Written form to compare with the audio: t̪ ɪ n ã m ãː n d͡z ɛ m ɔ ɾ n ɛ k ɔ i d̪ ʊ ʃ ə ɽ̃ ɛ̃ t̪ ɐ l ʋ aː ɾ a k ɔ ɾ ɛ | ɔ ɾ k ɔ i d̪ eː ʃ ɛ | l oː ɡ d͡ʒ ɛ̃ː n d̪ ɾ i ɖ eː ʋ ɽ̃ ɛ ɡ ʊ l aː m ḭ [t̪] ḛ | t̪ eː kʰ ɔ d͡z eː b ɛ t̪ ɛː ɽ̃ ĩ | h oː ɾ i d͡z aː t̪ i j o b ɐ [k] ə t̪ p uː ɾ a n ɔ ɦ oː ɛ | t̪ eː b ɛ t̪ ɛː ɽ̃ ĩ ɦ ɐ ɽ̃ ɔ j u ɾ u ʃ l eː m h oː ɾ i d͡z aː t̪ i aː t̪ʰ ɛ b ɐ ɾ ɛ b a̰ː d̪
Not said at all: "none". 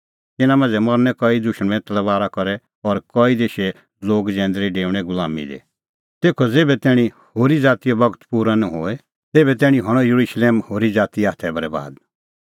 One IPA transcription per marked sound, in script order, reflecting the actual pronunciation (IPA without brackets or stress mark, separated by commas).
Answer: d̪, ɡ